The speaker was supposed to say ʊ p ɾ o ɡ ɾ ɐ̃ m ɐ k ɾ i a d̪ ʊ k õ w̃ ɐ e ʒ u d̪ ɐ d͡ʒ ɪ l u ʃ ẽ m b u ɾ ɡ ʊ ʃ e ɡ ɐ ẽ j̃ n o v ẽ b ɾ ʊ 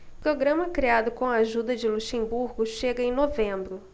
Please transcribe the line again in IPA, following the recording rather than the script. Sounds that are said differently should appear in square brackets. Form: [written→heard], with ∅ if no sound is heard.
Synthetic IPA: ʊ p ɾ o ɡ ɾ ɐ̃ m ɐ k ɾ i a d̪ ʊ k õ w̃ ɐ [e→a] ʒ u d̪ ɐ d͡ʒ ɪ l u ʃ ẽ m b u ɾ ɡ ʊ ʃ e ɡ ɐ ẽ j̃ n o v ẽ b ɾ ʊ